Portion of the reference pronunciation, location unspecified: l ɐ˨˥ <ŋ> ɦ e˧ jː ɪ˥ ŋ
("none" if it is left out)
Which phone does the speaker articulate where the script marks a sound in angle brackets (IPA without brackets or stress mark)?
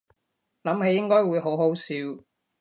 m